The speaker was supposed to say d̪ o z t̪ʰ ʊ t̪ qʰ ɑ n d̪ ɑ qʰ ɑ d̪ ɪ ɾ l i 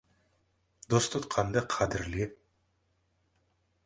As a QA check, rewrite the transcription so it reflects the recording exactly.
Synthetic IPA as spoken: d̪ o s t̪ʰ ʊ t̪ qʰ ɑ n d̪ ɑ qʰ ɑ d̪ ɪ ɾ l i